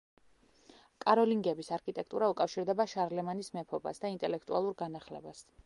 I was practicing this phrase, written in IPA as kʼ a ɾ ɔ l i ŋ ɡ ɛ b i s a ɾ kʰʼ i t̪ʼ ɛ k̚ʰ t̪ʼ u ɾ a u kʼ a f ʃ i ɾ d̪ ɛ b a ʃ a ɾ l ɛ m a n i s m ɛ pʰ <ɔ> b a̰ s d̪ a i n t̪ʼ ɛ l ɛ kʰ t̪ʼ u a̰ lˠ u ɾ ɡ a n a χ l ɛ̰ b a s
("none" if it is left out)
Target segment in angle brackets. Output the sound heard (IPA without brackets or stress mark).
ɔ